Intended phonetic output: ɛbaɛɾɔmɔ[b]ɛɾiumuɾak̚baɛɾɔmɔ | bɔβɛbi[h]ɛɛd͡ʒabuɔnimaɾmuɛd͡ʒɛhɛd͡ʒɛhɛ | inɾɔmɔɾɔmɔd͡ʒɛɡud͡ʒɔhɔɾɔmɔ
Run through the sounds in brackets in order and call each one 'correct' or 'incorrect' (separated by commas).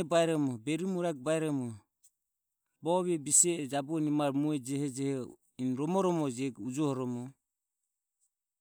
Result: correct, incorrect